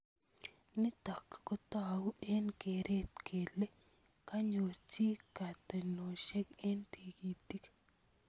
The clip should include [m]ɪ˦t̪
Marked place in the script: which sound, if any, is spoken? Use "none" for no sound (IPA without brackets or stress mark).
n